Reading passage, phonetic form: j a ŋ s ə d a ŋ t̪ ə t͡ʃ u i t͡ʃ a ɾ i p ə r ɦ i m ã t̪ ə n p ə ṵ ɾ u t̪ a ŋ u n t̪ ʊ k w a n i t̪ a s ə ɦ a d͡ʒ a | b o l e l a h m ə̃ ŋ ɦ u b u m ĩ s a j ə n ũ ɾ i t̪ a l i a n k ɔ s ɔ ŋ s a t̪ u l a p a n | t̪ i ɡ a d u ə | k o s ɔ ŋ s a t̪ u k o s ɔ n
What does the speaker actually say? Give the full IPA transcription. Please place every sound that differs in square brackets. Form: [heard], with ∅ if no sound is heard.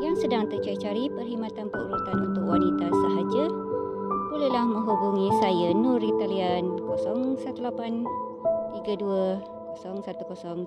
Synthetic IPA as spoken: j a ŋ s ə d a ŋ t̪ ə t͡ʃ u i t͡ʃ a ɾ i p ə r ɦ i m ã t̪ [a] n p ə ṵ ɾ u t̪ a [n] u n t̪ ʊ k w a n i t̪ a s ə ɦ a d͡ʒ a | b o l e l a h m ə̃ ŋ ɦ u b u [ŋ] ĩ s a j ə n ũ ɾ i t̪ a l i a n k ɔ s ɔ ŋ s a t̪ u l a p a n | t̪ i ɡ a d u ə | k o s ɔ ŋ s a t̪ u k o s ɔ [ŋ]